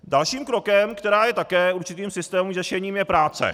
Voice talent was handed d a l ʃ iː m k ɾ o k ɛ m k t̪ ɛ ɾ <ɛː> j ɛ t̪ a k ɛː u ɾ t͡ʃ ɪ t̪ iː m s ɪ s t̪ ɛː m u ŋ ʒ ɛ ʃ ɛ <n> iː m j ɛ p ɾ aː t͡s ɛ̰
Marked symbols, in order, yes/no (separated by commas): no, no